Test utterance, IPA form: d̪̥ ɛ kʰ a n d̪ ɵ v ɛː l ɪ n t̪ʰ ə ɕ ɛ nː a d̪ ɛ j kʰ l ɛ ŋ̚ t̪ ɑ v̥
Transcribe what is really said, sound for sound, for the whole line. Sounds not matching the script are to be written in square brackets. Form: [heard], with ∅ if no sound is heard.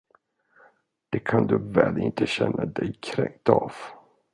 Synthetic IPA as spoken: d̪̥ ɛ kʰ a n d̪ ɵ v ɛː l ɪ n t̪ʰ ə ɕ ɛ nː a d̪ ɛ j kʰ [ɾ] ɛ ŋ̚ t̪ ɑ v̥

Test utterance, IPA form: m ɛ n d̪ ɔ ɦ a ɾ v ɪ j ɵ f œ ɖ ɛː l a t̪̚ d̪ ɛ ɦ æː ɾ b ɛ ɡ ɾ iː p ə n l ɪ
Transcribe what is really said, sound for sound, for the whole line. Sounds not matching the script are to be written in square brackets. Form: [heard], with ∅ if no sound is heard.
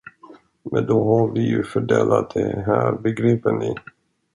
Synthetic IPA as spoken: m ɛ n d̪ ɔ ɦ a ɾ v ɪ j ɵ f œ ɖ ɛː l a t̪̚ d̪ ɛ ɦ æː ɾ b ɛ ɡ ɾ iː p ə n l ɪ

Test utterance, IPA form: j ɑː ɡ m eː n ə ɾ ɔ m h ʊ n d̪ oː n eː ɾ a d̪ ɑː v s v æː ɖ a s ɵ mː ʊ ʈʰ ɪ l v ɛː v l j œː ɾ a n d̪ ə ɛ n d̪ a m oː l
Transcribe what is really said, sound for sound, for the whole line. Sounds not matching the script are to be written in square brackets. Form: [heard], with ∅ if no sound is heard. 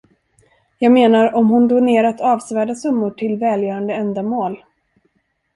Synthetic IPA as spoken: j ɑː ɡ m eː n [a] ɾ ɔ m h ʊ n d̪ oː n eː ɾ a [t̪] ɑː v s v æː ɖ a s ɵ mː ʊ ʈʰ ɪ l v ɛː [∅] l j œː ɾ a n d̪ ə ɛ n d̪ a m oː l

